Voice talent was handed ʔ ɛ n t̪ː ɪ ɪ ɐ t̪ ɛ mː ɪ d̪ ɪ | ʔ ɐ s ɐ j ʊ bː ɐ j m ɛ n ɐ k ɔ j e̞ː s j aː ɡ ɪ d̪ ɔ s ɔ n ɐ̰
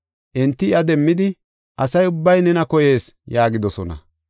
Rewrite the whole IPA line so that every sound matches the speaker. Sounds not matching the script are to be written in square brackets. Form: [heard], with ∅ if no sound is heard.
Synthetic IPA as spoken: ʔ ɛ n t̪ː ɪ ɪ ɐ [d̪] ɛ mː ɪ d̪ ɪ | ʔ ɐ s ɐ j ʊ bː ɐ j [n] ɛ n ɐ k ɔ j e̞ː s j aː ɡ ɪ d̪ ɔ s ɔ n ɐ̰